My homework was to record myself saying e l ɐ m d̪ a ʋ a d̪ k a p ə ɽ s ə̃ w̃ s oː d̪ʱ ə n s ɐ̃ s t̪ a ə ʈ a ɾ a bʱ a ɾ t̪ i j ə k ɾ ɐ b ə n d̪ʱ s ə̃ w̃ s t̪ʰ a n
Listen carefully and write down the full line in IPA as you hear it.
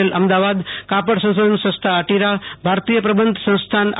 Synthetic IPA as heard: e l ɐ m d̪ a ʋ a d̪ k a p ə ɽ s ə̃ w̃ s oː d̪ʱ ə n s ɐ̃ s t̪ʰ a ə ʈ i ɾ a bʱ a ɾ t̪ i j ə p ɾ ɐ b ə n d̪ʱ s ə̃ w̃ s t̪ʰ a n

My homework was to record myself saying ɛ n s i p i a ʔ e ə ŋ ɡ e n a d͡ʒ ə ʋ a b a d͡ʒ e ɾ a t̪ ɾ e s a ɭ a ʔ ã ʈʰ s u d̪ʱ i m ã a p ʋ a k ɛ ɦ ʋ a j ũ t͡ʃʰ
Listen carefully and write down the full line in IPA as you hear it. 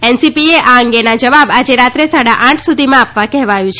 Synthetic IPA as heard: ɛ n s i p i e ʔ a ə ŋ ɡ e n a d͡ʒ ə ʋ a b a d͡ʒ e ɾ a t̪ ɾ e s a ɽ a ʔ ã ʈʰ s u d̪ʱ i m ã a p ʋ a k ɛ ɦ ʋ a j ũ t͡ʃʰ

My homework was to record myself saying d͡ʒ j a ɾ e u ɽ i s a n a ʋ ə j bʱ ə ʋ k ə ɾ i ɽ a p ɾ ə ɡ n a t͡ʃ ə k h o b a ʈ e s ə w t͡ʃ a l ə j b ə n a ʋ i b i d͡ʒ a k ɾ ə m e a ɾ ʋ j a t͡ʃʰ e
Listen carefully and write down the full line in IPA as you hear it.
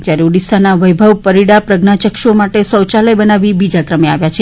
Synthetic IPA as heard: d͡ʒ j a ɾ e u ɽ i s a n a ʋ ə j bʱ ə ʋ p ə ɾ i ɽ a p ɾ ə ɡ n a t͡ʃ ə k ʃ o m a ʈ e s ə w t͡ʃ a l ə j b ə n a ʋ i b i d͡ʒ a k ɾ ə m e a ʋ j a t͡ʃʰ e

